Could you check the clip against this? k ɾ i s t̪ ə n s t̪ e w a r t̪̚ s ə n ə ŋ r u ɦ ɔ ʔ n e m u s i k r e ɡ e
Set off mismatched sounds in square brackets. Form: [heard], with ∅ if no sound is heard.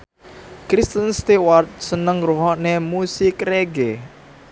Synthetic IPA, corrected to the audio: k ɾ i s t̪ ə n s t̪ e w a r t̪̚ s ə n ə ŋ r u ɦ ɔ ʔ n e m u s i k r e ɡ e